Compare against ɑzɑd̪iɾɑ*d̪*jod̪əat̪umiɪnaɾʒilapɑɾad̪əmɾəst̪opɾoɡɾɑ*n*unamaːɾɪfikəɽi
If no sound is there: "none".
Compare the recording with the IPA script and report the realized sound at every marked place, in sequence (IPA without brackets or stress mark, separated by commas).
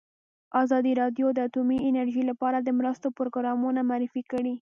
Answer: d̪, m